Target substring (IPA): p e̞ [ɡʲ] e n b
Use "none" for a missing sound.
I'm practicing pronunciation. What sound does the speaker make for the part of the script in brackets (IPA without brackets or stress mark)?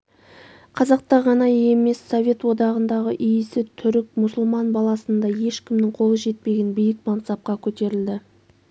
ɡʲ